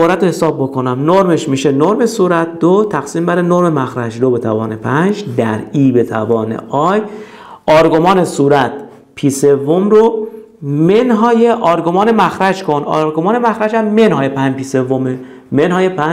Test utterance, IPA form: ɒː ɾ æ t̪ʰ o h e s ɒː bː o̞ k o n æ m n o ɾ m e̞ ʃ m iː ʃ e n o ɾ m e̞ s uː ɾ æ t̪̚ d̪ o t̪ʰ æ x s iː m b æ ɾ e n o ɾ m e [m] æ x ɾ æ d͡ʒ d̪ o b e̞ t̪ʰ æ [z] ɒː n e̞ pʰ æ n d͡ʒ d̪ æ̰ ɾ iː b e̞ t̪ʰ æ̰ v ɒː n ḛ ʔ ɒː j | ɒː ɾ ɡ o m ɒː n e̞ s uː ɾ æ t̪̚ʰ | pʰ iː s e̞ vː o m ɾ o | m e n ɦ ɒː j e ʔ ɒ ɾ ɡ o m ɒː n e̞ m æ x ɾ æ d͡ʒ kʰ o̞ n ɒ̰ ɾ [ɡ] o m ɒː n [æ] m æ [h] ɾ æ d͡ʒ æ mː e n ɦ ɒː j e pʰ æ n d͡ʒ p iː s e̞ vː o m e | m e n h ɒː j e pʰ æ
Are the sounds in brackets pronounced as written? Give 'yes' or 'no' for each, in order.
yes, no, yes, no, no

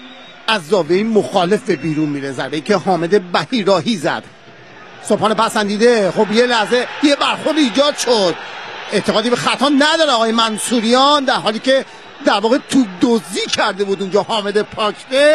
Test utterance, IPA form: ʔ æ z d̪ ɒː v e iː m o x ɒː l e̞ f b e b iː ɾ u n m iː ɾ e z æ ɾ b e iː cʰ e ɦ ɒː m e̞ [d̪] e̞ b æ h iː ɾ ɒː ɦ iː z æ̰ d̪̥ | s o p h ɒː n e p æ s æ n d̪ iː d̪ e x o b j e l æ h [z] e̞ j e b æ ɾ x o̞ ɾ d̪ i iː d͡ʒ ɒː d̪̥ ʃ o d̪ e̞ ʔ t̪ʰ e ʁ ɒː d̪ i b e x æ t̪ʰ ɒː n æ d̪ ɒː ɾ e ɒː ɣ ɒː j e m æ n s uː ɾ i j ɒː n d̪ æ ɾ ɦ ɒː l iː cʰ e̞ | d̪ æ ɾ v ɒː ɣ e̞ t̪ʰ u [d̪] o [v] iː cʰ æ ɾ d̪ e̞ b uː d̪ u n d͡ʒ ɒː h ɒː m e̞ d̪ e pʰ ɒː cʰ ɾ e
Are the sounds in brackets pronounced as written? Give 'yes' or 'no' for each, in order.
yes, yes, yes, no

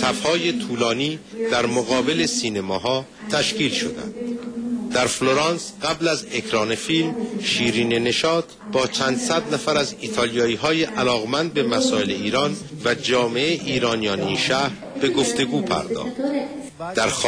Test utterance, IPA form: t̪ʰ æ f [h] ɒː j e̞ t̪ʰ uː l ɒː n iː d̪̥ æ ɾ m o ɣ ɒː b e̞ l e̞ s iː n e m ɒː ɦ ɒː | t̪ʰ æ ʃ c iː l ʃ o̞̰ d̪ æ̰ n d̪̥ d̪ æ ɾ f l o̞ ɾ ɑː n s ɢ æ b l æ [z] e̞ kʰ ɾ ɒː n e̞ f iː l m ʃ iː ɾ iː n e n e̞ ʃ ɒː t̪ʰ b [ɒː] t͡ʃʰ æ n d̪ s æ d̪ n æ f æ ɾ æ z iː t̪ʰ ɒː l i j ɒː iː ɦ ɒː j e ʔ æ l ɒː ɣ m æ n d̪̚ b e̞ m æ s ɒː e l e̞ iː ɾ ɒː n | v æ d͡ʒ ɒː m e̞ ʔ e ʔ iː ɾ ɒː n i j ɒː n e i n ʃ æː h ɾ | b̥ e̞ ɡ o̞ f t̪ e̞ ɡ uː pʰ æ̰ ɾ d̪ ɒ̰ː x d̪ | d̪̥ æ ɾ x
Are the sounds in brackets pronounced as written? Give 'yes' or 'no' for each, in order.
yes, yes, yes

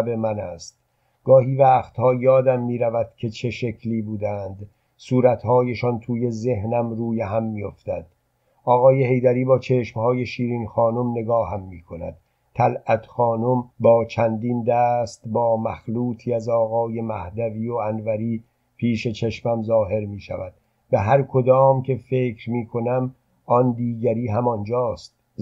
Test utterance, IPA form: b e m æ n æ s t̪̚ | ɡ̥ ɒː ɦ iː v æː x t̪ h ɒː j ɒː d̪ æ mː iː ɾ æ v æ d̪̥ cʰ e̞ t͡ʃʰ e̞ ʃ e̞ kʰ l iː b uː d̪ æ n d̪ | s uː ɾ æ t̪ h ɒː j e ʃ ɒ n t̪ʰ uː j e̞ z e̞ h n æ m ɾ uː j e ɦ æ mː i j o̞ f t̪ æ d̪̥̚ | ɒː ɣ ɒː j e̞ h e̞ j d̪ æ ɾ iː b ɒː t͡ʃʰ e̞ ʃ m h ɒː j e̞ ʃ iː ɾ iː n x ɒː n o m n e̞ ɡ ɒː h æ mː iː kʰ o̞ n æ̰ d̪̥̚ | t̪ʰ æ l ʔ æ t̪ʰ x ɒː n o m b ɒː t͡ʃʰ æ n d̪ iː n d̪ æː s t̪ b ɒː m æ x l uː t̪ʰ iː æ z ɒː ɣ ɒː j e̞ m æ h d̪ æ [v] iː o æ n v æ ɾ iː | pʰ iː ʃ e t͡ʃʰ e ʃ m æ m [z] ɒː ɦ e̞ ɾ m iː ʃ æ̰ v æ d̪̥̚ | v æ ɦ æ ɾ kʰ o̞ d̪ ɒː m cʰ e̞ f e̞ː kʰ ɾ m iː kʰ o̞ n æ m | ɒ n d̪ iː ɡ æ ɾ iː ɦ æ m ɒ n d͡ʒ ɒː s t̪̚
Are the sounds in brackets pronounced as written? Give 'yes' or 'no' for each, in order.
yes, yes

